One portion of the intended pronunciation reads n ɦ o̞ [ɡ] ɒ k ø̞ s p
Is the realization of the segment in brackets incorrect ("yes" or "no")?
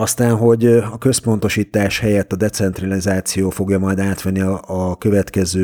yes